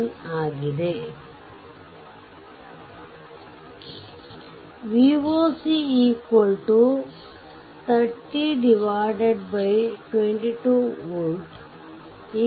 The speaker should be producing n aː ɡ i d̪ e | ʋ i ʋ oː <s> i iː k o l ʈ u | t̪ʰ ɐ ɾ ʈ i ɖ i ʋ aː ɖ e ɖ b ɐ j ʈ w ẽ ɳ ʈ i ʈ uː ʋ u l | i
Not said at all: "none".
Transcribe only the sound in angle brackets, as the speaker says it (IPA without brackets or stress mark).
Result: s